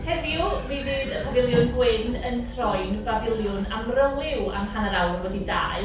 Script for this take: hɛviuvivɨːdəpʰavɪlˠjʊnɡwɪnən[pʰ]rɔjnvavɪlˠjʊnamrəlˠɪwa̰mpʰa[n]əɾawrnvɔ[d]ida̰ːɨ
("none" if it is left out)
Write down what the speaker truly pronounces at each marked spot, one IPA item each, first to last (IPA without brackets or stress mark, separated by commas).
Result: tʰ, n, d